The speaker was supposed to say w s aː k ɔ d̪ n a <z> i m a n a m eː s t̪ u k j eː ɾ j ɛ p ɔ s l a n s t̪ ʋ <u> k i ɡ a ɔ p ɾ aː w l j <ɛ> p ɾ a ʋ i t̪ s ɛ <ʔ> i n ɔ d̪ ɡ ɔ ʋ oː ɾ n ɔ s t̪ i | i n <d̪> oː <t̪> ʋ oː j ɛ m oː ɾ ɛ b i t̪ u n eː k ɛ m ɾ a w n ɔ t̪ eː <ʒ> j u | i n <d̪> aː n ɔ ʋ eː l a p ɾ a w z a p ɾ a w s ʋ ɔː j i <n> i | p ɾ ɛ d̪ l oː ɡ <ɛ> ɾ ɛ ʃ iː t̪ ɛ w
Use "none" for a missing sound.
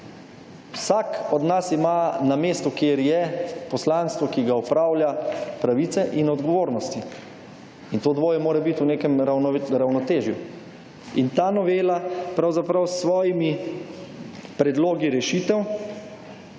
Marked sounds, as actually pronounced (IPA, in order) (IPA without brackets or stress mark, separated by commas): s, ɔ, a, ʔ, t̪, d̪, ʒ, t̪, m, i